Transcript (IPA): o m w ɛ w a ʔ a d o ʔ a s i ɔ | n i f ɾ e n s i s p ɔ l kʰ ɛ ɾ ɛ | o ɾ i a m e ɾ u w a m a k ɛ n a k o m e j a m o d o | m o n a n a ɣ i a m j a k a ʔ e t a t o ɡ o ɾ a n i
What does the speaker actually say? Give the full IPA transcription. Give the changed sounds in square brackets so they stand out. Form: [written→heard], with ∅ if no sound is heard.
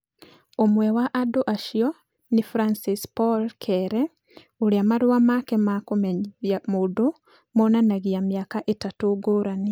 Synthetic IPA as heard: o m w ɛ w a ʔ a d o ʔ a [s→ʃ] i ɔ | n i f ɾ [e→a] n s i s p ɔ l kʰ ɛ ɾ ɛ | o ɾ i a m [e→a] ɾ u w a m a k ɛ [n→m] a k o m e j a m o d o | m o n a n a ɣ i a m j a k a ʔ e t a t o ɡ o ɾ a n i